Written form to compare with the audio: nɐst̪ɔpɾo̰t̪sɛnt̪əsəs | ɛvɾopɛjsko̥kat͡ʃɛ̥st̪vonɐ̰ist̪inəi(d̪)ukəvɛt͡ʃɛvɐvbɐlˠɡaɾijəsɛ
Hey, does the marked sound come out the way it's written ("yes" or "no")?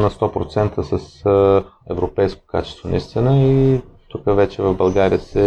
no